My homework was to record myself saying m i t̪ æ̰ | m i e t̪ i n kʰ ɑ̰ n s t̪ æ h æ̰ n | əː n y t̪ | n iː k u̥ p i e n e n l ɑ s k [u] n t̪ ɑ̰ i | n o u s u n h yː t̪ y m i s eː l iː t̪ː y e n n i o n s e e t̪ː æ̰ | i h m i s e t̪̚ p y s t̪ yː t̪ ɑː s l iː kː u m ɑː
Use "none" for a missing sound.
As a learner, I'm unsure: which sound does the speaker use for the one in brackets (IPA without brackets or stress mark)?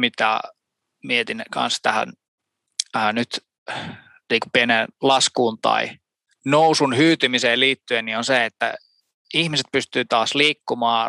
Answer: uː